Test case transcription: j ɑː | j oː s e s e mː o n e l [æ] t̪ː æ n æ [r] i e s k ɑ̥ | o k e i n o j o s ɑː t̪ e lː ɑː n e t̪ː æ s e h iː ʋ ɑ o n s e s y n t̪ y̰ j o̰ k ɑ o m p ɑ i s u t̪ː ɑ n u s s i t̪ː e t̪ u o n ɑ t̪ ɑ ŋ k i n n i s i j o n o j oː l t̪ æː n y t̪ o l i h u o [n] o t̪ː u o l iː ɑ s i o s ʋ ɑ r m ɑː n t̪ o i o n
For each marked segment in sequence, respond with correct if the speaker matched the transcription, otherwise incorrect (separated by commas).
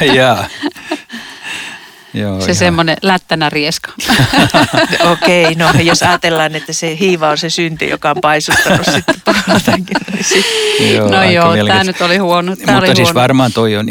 correct, correct, correct